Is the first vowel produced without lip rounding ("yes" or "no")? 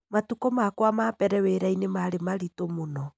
yes